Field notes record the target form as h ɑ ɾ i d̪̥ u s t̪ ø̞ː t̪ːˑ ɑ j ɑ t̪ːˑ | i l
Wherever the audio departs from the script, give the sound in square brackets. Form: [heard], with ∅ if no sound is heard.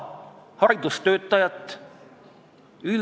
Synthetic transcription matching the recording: h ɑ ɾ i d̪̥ u s t̪ ø̞ː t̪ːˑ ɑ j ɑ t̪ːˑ | [y] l